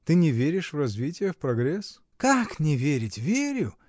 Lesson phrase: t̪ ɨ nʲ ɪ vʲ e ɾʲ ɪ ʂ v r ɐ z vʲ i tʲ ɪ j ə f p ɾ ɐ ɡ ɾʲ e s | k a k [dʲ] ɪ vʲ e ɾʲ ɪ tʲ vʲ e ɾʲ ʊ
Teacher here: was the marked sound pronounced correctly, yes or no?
no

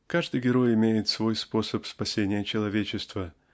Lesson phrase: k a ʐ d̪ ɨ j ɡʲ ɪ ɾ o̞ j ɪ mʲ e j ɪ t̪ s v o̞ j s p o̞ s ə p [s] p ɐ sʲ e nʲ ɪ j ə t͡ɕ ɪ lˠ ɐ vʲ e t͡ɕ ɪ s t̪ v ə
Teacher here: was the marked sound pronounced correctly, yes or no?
yes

